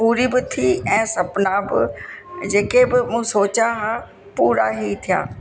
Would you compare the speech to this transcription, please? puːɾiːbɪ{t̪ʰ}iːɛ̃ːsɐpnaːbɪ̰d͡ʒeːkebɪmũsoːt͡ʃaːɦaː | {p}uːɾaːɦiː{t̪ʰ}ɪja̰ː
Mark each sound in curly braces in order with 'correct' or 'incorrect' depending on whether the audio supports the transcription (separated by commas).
correct, correct, correct